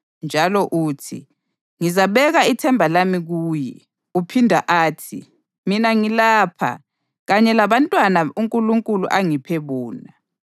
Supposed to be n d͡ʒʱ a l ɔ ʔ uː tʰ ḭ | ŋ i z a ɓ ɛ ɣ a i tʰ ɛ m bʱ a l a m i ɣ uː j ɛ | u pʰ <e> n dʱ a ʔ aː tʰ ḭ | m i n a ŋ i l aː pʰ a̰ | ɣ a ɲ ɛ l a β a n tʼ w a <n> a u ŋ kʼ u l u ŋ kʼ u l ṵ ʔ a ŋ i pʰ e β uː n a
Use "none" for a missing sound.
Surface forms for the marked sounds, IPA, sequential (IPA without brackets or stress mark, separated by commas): i, n